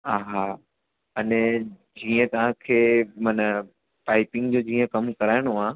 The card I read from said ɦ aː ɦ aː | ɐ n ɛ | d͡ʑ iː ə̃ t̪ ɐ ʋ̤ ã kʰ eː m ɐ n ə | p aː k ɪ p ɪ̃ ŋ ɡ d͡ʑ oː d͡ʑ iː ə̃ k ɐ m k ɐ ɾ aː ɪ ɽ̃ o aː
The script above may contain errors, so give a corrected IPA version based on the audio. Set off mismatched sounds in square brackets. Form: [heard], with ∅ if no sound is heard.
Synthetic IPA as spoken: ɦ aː ɦ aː | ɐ n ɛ | d͡ʑ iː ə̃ t̪ ɐ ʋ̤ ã kʰ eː m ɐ n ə | p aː [∅] ɪ p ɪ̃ ŋ ɡ d͡ʑ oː d͡ʑ iː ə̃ k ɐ m k ɐ ɾ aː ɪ ɽ̃ o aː